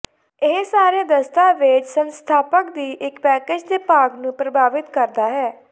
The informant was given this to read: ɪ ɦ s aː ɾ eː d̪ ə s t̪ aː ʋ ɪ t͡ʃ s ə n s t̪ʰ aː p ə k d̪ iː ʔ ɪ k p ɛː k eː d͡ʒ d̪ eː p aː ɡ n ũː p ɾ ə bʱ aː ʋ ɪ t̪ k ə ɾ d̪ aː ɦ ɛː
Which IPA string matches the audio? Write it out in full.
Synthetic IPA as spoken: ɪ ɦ s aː ɾ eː d̪ ə s t̪ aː ʋ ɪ t͡ʃ s ə n s t̪ʰ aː p ə k d̪ iː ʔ ɪ k p ɛː k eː d͡ʒ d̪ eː p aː ɡ n ũː p ɾ ə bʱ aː ʋ ɪ t̪ k ə ɾ d̪ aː ɦ ɛː